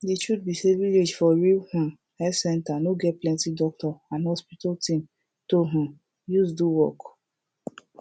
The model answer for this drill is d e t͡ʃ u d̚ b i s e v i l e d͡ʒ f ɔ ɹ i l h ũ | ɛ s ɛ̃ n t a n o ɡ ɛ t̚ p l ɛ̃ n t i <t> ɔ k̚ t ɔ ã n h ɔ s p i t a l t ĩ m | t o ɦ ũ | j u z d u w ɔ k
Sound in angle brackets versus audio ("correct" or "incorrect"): incorrect